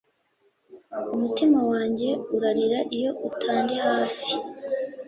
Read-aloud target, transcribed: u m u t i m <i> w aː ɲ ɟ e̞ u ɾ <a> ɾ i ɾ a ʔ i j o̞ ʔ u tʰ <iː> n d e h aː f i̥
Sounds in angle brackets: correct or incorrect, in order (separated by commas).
incorrect, correct, incorrect